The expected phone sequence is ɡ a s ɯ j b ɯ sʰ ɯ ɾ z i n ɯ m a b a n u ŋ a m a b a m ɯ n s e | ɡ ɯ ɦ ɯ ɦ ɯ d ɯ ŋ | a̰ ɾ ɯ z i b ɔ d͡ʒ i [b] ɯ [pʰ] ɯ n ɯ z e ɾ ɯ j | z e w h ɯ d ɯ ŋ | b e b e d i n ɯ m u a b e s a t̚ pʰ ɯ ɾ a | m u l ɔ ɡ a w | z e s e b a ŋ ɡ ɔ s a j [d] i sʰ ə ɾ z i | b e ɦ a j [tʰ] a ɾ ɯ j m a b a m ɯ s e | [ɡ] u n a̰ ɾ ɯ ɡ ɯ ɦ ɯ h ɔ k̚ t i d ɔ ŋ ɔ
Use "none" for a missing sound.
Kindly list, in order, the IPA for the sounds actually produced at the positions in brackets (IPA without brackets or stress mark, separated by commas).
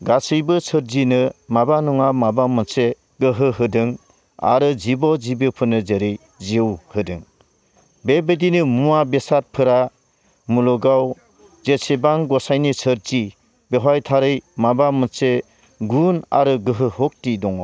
b, pʰ, n, tʰ, ɡ